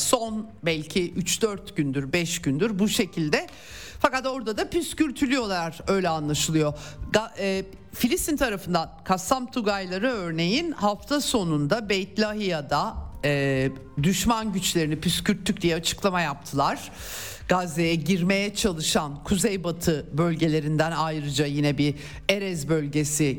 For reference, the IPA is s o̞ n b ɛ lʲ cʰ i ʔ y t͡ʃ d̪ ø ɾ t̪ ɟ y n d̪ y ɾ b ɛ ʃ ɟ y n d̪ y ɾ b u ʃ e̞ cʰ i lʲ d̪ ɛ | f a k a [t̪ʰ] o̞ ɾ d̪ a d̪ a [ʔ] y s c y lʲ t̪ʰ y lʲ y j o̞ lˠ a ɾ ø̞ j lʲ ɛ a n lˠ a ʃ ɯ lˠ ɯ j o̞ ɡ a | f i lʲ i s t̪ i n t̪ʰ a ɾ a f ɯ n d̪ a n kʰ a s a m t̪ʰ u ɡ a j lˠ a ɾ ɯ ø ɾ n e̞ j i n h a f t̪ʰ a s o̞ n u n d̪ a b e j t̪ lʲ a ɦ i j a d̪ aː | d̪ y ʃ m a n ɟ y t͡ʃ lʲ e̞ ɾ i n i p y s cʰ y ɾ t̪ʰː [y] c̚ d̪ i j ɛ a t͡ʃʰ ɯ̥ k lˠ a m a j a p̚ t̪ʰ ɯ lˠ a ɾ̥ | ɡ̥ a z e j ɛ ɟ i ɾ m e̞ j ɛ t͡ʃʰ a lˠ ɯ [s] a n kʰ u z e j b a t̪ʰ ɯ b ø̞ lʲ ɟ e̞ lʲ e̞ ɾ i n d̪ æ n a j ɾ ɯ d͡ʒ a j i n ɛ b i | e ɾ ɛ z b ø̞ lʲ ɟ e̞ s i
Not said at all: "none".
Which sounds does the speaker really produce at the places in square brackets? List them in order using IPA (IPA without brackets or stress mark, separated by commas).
t̪, p, y, ʃ